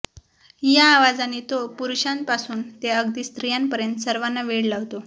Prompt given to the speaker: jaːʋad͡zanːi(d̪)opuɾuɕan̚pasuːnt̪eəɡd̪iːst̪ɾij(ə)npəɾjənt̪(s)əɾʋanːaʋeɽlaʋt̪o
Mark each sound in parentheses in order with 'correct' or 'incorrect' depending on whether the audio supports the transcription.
incorrect: t̪, incorrect: a, correct

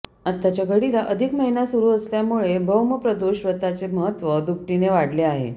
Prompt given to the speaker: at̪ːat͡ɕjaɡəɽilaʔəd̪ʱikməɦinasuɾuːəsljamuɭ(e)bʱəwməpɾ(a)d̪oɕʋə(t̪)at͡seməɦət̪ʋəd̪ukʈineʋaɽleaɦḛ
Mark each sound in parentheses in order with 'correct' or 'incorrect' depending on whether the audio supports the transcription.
correct, incorrect: ə, correct

